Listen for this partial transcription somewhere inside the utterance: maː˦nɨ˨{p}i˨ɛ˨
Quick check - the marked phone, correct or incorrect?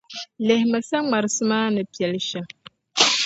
correct